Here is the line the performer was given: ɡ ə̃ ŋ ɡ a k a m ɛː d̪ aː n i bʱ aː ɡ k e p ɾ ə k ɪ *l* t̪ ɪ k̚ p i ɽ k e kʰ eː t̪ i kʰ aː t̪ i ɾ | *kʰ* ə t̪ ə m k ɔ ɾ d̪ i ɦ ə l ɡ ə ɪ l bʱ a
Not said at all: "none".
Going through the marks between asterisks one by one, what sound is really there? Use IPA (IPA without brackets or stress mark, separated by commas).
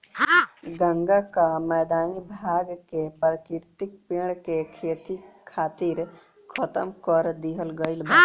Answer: ɾ, kʰ